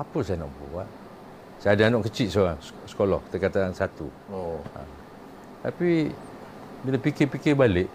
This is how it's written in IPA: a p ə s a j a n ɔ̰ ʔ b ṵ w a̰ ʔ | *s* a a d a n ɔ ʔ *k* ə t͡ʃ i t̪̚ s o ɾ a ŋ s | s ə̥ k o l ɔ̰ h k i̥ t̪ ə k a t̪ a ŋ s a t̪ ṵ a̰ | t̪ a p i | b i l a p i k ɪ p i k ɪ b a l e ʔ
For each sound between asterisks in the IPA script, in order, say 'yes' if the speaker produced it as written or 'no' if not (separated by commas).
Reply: yes, yes